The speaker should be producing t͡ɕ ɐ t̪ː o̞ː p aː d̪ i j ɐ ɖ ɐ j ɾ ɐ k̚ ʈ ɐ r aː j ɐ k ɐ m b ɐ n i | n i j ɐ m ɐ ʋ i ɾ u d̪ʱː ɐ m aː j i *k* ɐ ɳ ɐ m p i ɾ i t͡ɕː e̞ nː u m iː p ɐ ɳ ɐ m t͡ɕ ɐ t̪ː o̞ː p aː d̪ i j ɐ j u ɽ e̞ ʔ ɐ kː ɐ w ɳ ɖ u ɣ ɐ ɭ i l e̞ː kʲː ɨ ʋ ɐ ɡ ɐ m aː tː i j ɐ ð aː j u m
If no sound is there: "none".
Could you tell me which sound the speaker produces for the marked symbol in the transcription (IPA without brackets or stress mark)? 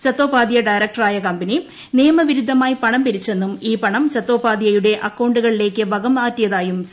p